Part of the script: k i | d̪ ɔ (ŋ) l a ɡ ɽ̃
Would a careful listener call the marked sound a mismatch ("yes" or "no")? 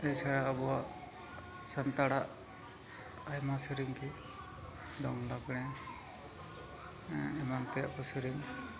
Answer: no